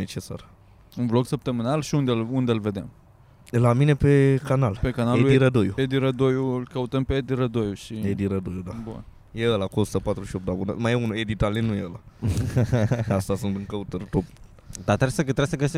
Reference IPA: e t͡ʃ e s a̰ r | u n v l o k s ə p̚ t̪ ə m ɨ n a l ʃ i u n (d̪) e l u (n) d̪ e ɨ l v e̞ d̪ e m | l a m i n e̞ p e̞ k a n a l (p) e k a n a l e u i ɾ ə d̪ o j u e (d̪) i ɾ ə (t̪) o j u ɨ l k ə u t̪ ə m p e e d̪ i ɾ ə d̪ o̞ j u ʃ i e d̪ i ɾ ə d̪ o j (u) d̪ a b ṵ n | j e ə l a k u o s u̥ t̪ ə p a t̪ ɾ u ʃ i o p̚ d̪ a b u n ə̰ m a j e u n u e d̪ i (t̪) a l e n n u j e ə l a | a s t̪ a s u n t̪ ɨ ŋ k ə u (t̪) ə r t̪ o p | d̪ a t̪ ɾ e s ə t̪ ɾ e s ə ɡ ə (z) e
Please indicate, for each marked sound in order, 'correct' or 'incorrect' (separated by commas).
correct, correct, correct, correct, incorrect, correct, correct, correct, incorrect